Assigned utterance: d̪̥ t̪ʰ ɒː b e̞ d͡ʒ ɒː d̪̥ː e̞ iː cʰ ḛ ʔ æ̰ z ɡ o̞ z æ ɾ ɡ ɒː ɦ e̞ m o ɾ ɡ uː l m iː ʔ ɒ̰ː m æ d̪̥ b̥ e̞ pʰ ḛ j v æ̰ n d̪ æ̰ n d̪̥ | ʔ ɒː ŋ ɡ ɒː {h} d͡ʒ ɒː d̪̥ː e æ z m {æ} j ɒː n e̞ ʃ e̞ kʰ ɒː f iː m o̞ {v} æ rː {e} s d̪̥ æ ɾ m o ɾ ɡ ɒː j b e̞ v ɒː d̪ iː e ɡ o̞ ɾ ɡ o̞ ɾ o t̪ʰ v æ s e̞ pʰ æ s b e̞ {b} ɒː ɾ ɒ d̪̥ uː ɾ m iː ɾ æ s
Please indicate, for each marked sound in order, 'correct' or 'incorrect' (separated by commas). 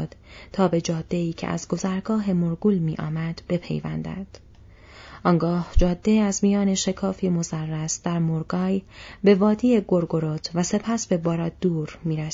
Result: correct, incorrect, incorrect, incorrect, correct